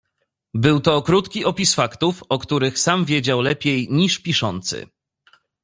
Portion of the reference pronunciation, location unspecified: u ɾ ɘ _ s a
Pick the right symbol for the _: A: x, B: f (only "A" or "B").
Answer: A